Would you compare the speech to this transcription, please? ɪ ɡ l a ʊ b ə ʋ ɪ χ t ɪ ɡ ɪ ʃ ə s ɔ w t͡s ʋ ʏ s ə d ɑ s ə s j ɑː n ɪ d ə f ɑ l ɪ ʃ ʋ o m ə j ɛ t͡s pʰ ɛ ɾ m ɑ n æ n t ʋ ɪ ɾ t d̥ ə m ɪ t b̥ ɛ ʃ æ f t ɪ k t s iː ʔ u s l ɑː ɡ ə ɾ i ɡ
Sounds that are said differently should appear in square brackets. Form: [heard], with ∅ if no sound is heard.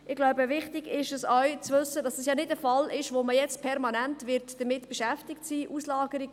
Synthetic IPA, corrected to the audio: ɪ ɡ l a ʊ b ə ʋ ɪ χ t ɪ ɡ ɪ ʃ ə s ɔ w t͡s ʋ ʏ s ə d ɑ s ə s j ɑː n ɪ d ə f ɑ l ɪ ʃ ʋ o m ə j ɛ t͡s pʰ ɛ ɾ m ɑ n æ n t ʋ ɪ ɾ t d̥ ə m ɪ t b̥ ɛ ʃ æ f t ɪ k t s iː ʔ u s l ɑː ɡ ə ɾ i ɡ